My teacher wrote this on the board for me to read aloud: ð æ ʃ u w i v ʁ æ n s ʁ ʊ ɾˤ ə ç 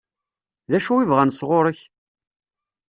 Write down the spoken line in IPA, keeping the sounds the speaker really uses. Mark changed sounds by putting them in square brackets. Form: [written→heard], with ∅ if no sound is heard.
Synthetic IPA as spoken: ð æ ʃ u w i v ʁ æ n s ʁ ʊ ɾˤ ə ç